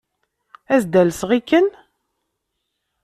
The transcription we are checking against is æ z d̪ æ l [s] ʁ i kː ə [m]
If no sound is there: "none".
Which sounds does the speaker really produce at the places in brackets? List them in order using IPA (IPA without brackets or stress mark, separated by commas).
s, n